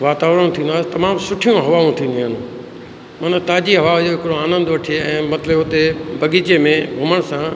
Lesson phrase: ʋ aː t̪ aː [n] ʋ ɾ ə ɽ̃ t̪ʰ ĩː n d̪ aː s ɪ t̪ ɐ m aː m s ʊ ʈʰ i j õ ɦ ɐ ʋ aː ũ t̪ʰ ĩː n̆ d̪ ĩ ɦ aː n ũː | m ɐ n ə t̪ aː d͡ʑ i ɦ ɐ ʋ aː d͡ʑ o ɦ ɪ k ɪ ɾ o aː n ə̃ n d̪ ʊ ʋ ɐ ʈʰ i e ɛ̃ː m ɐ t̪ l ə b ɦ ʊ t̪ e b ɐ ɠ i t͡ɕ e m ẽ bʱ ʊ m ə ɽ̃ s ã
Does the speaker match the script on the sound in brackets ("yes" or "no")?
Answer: no